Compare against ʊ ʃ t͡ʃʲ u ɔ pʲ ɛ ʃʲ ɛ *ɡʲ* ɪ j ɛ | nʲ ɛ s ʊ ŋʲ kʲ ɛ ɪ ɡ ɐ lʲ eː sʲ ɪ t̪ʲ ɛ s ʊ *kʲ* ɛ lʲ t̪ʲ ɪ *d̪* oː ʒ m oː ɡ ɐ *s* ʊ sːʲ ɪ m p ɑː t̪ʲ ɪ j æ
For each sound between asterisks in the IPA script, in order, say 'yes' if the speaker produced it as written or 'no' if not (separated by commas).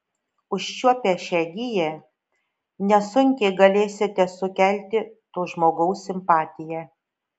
yes, yes, no, no